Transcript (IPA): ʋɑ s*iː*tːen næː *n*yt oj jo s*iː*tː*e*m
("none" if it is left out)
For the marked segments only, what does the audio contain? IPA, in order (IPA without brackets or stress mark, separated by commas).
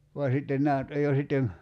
i, n, i, e